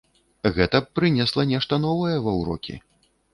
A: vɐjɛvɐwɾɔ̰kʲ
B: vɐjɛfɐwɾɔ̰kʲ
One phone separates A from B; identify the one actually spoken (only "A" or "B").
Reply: A